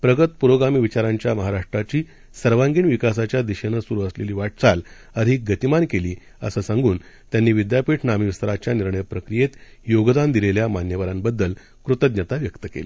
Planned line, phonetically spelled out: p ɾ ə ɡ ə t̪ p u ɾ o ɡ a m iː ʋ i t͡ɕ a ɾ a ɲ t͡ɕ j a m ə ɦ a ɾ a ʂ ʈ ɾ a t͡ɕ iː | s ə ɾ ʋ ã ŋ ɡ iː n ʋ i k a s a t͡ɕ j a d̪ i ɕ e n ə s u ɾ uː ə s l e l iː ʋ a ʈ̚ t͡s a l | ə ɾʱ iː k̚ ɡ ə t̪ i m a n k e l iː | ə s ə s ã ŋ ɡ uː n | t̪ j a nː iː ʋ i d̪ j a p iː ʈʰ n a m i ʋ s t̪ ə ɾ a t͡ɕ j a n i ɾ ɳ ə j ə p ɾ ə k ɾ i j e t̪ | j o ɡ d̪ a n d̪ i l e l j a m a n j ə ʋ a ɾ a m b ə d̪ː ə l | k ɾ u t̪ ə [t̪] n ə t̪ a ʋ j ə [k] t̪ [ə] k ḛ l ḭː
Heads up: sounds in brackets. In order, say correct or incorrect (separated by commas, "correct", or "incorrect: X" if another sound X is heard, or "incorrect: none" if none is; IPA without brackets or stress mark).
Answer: incorrect: d̪, correct, correct